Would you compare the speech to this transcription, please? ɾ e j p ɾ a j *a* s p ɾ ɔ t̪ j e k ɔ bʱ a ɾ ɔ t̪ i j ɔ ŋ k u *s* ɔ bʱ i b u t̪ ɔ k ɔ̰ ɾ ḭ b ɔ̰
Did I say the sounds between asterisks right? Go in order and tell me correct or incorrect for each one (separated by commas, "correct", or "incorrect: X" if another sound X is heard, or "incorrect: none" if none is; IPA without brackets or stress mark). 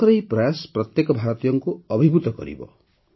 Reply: correct, incorrect: none